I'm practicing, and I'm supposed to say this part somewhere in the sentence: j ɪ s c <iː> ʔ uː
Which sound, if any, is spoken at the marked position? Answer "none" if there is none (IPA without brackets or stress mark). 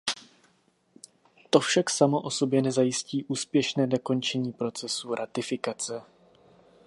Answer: iː